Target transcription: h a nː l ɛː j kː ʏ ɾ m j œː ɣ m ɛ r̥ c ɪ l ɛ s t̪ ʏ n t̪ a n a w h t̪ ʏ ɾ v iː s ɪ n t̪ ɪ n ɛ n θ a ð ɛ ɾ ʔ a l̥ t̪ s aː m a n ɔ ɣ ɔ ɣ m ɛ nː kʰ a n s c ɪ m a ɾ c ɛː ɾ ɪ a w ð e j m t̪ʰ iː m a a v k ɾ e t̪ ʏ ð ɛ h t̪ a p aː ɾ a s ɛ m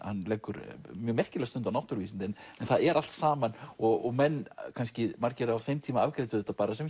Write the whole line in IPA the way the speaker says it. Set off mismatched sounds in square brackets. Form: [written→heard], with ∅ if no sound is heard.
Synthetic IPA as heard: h a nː l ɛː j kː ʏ ɾ m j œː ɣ m ɛ r̥ c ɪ l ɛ s t̪ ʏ n t̪ a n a w h t̪ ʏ ɾ v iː s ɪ n t̪ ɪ n ɛ n θ a ð ɛ ɾ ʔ a l̥ t̪ s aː m a n ɔ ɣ ɔ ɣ m ɛ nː kʰ a n s c ɪ m a ɾ c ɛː ɾ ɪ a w [ð→θ] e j m t̪ʰ iː m a a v k ɾ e t̪ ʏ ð ɛ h t̪ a p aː ɾ a s ɛ m